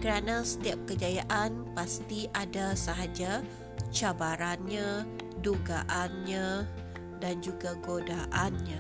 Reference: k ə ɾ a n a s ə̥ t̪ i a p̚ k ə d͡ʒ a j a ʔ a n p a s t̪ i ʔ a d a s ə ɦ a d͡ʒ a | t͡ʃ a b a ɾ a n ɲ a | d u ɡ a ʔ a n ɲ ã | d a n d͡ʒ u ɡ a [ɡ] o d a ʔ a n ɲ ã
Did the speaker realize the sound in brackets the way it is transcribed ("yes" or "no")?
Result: yes